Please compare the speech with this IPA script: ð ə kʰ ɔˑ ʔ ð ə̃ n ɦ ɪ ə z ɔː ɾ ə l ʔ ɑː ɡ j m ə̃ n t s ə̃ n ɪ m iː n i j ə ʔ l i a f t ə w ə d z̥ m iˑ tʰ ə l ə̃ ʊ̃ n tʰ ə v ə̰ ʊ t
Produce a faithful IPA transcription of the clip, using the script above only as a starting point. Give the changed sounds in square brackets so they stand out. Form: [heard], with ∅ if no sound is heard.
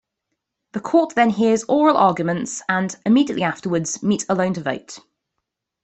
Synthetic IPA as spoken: ð ə kʰ ɔˑ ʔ ð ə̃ n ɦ ɪ ə z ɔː [ɹ] ə l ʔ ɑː ɡ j m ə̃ n t s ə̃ n ɪ m iː [d] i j ə ʔ l i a f t ə w ə d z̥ m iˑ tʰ ə l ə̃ ʊ̃ n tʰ ə v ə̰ ʊ t